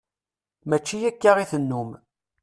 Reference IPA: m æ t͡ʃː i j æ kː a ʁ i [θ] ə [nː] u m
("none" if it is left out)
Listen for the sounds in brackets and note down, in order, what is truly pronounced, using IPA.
θ, nː

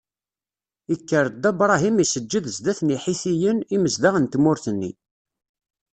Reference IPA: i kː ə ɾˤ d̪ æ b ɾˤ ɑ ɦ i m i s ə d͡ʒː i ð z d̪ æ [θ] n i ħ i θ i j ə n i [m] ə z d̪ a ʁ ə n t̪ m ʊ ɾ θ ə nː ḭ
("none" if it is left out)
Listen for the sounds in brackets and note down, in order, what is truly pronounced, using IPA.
θ, m

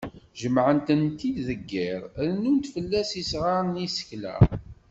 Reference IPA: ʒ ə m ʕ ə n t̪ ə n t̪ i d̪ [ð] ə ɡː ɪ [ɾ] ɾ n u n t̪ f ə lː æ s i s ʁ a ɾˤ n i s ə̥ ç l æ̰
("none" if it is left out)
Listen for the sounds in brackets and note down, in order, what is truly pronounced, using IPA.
ð, ɾ

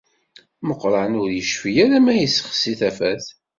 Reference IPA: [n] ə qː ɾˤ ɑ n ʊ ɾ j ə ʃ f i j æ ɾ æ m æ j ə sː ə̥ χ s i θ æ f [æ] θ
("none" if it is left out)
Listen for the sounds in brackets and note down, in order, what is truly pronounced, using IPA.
m, æ

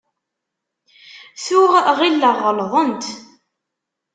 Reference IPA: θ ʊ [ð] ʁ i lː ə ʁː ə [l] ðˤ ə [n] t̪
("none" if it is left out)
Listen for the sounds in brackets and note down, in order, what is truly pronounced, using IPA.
ʁ, l, n

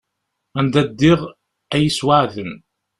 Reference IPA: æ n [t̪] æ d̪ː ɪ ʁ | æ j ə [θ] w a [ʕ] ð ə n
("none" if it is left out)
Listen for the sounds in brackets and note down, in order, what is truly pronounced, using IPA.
d̪, s, ʕ

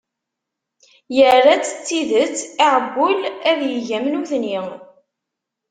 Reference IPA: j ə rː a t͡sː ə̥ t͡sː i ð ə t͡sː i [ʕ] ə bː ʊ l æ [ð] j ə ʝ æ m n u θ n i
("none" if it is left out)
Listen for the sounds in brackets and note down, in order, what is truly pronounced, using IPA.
ʕ, ð

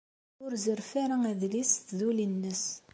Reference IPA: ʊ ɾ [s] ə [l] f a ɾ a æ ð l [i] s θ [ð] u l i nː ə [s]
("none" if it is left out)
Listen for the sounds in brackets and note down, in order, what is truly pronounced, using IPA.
z, ɾ, i, ð, s

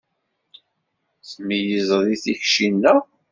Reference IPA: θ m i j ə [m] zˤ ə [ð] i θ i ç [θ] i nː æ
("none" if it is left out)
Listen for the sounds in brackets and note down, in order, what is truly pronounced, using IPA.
none, ð, ʃ

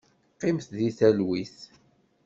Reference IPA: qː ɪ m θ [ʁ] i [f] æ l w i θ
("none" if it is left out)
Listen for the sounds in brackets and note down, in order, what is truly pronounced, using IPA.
ð, θ

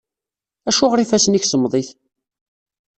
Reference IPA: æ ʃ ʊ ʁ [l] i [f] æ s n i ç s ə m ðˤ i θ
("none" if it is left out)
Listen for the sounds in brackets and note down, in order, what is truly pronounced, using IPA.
ɾ, f

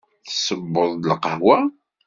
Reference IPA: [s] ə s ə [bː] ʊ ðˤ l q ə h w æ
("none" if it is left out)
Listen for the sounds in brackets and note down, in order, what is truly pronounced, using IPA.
θ, bː

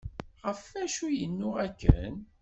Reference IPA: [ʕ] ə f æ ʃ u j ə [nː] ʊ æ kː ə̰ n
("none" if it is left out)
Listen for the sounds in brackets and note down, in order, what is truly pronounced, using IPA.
ʁ, nː

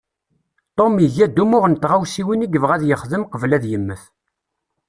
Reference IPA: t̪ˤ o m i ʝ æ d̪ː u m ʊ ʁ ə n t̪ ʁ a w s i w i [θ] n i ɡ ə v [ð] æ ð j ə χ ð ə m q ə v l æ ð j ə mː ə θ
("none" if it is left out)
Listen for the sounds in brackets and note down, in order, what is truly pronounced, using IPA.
none, ʁ

